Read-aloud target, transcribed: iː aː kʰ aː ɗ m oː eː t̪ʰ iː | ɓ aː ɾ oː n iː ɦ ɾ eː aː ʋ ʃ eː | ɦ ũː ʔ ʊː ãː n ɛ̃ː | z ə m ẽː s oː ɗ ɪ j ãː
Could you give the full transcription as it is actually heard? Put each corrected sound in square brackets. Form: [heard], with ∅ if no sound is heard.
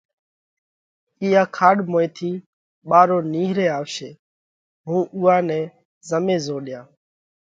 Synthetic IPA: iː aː kʰ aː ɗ m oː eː t̪ʰ iː | ɓ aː ɾ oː n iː ɦ ɾ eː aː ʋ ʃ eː | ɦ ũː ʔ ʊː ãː n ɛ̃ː | z ə m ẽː [z] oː ɗ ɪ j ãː